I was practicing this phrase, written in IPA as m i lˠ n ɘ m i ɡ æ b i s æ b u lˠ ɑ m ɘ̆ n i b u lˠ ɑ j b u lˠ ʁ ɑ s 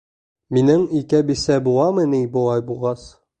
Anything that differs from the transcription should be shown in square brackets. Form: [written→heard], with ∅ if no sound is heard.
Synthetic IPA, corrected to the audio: m i [lˠ→∅] n ɘ [m→ŋ] i [ɡ→k] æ b i s æ b u lˠ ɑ m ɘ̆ n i b u lˠ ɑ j b u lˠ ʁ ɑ s